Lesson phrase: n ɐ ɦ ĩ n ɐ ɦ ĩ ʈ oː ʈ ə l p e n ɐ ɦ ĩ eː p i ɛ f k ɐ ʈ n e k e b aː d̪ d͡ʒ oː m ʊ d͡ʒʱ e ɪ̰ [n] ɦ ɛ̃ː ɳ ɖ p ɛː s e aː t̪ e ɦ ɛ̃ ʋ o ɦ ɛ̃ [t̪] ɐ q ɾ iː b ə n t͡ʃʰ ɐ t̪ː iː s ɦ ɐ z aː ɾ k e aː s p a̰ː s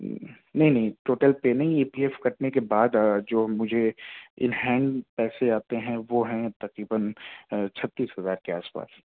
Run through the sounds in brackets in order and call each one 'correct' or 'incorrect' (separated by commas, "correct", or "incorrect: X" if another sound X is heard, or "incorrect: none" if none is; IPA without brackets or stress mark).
correct, correct